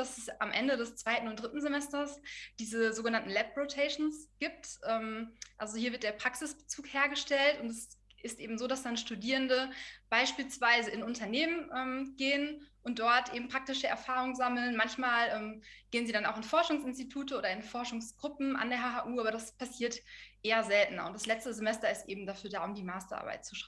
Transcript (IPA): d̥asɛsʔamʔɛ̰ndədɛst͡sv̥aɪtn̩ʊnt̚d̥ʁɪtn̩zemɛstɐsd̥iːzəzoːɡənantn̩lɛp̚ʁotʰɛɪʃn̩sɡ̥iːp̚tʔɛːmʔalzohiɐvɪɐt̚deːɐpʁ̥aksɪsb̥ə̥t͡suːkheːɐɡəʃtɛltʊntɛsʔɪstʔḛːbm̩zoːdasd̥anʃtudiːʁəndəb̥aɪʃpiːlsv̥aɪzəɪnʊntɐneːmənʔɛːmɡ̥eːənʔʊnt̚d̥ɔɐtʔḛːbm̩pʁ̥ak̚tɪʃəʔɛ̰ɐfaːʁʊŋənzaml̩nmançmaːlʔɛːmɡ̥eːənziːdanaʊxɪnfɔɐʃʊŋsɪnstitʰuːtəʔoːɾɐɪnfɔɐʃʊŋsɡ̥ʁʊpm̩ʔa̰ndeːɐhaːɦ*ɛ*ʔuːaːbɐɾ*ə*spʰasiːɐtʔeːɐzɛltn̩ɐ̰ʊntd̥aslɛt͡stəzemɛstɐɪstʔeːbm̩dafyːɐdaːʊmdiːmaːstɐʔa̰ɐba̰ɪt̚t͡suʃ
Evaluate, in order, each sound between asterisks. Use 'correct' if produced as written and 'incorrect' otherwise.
incorrect: a, incorrect: a

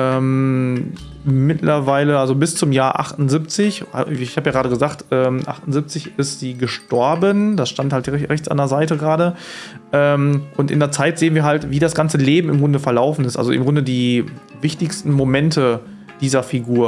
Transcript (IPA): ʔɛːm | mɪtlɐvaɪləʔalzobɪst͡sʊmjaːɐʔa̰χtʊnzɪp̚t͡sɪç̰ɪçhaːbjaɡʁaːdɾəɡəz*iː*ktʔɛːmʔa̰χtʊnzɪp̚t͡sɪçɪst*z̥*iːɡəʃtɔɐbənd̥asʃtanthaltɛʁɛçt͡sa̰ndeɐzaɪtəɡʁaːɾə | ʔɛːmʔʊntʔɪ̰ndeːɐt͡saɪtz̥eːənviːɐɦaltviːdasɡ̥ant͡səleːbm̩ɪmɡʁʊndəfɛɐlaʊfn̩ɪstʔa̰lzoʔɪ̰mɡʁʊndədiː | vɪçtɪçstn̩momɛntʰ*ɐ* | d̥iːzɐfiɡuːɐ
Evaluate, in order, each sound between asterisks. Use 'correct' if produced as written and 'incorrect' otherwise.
incorrect: aː, correct, incorrect: ə

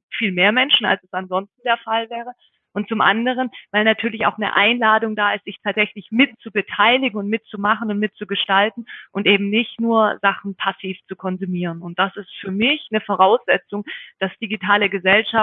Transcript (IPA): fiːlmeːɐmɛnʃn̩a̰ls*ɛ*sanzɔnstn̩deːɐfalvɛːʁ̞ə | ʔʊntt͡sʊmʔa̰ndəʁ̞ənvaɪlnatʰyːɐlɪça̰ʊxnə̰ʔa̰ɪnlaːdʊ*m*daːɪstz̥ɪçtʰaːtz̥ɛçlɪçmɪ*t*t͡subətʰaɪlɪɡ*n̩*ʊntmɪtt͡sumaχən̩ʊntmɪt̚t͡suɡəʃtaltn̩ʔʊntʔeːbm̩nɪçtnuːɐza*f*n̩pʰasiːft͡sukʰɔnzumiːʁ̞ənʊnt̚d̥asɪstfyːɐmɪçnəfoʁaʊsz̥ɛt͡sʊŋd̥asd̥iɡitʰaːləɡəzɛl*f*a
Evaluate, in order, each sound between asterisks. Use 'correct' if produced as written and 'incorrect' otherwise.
correct, incorrect: ŋ, correct, incorrect: ŋ̩, incorrect: χ, incorrect: ʃ

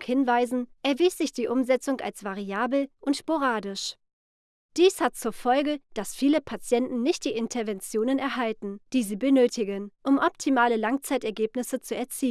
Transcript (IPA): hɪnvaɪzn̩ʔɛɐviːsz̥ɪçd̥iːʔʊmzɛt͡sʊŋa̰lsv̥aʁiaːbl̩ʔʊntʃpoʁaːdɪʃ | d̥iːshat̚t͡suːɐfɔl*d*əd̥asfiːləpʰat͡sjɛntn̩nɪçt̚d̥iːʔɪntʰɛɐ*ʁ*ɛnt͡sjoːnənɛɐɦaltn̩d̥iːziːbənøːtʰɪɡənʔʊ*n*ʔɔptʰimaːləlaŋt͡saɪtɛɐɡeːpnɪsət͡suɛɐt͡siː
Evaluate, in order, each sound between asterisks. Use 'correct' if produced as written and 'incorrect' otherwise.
incorrect: ɡ, incorrect: v, incorrect: m

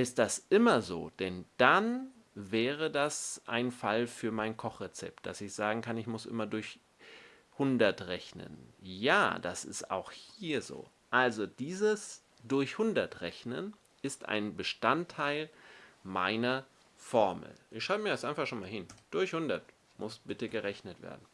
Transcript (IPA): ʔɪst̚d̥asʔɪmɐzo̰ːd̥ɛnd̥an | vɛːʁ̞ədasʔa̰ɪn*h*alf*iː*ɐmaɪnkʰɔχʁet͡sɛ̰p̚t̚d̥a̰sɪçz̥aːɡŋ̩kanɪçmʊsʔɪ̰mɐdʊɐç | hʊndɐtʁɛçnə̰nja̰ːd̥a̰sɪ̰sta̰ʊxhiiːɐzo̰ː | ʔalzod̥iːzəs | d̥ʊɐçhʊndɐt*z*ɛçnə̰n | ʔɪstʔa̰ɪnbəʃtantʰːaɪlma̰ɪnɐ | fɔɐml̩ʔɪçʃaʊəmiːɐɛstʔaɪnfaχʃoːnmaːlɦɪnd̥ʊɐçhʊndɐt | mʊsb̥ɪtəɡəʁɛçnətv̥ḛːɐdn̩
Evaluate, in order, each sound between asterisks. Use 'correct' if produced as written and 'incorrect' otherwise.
incorrect: f, incorrect: yː, incorrect: ʁ

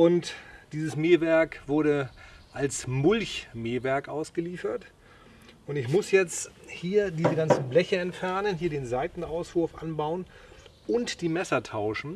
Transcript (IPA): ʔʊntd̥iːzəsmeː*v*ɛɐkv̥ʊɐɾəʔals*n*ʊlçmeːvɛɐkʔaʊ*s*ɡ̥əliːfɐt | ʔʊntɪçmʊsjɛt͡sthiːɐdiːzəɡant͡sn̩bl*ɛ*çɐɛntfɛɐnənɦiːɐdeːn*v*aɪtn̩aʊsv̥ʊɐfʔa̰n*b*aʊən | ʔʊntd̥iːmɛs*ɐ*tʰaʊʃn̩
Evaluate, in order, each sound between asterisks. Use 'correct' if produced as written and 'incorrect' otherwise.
correct, incorrect: m, correct, correct, incorrect: z, correct, correct

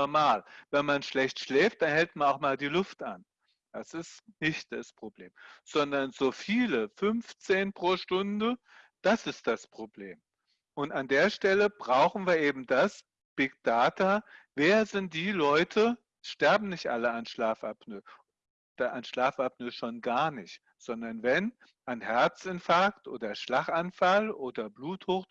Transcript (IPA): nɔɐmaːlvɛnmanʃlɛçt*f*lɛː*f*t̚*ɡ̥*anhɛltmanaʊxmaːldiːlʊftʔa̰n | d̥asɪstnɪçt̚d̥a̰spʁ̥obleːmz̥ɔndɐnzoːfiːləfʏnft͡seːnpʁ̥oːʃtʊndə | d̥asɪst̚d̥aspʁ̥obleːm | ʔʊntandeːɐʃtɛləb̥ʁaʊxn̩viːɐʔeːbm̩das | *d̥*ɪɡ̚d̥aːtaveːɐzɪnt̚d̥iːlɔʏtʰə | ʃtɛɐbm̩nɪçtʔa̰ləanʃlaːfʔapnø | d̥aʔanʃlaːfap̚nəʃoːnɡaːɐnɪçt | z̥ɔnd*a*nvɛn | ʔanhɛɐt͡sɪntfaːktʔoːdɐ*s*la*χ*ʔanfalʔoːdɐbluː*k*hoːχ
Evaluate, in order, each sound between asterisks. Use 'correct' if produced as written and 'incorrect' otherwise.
incorrect: ʃ, correct, incorrect: d̥, incorrect: b̥, incorrect: ɐ, incorrect: ʃ, correct, incorrect: t

